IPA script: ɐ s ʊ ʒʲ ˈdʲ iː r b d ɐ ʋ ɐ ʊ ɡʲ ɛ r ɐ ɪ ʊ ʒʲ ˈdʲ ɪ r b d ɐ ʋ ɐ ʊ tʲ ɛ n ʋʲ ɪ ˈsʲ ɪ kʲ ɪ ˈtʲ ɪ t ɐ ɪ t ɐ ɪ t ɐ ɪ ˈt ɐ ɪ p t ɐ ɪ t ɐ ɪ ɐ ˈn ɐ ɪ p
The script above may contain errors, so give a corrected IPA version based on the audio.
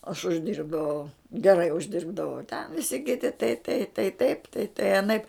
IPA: ɐ ʃ ʊ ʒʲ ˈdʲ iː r b d ɐ ʋ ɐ ʊ ɡʲ ɛ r ɐ ɪ ʊ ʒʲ ˈdʲ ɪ r b d ɐ ʋ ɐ ʊ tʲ ɛ n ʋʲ ɪ ˈsʲ ɪ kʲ ɪ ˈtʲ ɪ t ɐ ɪ t ɐ ɪ t ɐ ɪ ˈt ɐ ɪ p t ɐ ɪ t ɐ ɪ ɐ ˈn ɐ ɪ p